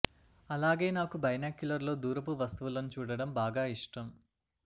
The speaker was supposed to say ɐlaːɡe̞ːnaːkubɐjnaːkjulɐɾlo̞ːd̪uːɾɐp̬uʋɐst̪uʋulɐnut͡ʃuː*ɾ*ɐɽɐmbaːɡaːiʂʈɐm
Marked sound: incorrect: ɽ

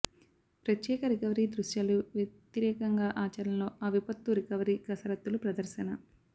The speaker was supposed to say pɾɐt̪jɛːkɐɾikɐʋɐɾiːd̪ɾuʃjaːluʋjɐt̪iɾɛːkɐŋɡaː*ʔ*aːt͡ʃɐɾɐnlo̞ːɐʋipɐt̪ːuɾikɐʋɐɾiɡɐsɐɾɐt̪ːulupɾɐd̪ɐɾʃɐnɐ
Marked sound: correct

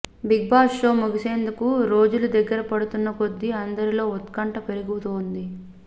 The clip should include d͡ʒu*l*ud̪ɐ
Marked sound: correct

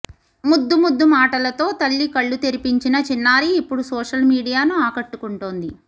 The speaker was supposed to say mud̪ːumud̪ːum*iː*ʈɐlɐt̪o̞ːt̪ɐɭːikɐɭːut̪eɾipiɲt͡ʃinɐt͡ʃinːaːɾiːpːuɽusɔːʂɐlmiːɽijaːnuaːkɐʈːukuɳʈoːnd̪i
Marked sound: incorrect: aː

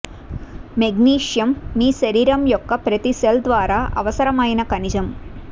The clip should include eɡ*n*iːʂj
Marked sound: correct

